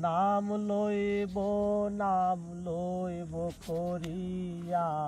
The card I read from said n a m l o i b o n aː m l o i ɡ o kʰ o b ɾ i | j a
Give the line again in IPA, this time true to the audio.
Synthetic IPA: n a m l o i b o n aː m l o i b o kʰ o ɾ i | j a